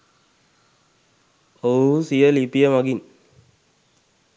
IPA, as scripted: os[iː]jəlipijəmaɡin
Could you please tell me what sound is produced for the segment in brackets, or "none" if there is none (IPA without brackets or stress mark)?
i